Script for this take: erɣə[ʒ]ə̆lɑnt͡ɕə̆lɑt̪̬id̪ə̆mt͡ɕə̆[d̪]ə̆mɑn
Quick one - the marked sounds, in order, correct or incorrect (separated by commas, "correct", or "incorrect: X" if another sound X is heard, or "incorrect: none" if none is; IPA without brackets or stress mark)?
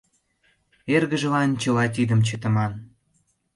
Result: correct, incorrect: t̪